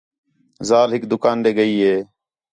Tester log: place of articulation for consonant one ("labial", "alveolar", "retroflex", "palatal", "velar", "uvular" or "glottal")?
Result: alveolar